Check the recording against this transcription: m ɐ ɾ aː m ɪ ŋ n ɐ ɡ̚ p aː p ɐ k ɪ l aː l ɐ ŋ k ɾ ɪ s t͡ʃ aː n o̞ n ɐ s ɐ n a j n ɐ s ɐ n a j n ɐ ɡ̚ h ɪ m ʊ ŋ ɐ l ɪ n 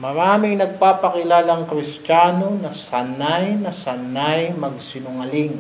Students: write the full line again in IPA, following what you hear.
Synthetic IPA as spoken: m ɐ ɾ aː m ɪ ŋ n ɐ ɡ̚ p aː p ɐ k ɪ l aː l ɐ ŋ k ɾ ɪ s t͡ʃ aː n o̞ n ɐ s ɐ n a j n ɐ s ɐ n a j m ɐ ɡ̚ s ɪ n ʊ ŋ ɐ l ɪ ŋ